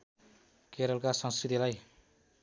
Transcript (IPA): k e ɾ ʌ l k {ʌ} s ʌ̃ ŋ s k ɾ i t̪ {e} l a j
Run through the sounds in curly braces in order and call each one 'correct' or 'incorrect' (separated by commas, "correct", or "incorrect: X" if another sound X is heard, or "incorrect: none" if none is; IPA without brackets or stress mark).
incorrect: a, incorrect: i